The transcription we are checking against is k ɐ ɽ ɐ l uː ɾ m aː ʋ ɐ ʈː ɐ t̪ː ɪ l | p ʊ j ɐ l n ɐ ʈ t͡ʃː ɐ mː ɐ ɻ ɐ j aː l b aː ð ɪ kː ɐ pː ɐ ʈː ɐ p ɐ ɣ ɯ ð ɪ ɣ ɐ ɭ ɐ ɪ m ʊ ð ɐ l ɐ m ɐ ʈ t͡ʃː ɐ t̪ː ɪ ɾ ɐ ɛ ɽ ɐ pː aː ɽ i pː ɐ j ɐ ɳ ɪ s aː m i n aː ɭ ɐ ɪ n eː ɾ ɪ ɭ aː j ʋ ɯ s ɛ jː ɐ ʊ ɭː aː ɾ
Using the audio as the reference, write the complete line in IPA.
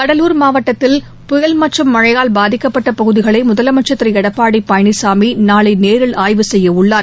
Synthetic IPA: k ɐ ɽ ɐ l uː ɾ m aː ʋ ɐ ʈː ɐ t̪ː ɪ l | p ʊ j ɐ l m ɐ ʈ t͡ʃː ɐ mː ɐ ɻ ɐ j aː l b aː ð ɪ kː ɐ pː ɐ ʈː ɐ p ɐ ɣ ɯ ð ɪ ɣ ɐ ɭ ɐ ɪ m ʊ ð ɐ l ɐ m ɐ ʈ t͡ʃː ɐ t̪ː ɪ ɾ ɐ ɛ ɽ ɐ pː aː ɽ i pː ɐ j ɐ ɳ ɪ s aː m i n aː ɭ ɐ ɪ n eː ɾ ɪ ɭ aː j ʋ ɯ s ɛ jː ɐ ʊ ɭː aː ɾ